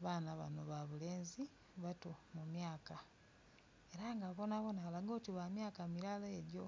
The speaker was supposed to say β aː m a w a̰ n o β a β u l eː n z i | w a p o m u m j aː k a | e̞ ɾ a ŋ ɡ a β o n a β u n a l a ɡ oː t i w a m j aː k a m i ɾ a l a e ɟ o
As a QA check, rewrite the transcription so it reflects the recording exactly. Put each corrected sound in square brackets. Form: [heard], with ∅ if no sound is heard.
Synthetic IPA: β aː [n] a [β] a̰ n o β a β u l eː n z i | [β] a [t] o m u m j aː k a | e̞ ɾ a ŋ ɡ a β o n a β [o] n a l a ɡ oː t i [β] a m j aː k a m i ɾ a l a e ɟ o